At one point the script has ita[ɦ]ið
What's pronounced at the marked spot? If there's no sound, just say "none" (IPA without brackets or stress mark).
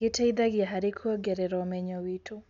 none